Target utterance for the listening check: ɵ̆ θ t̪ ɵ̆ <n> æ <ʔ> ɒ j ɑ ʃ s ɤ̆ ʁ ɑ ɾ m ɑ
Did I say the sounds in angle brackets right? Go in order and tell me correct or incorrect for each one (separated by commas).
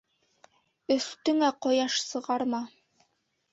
incorrect, incorrect